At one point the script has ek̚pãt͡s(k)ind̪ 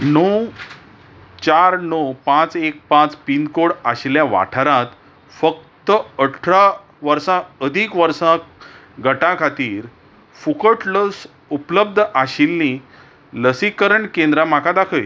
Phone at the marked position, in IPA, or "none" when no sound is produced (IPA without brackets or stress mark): p